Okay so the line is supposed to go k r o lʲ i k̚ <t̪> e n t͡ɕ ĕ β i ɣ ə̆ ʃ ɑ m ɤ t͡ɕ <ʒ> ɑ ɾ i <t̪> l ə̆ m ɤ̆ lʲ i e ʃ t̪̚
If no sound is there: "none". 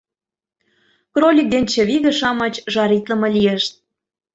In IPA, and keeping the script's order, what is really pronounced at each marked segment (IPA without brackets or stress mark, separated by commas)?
d̪, ʒ, t̪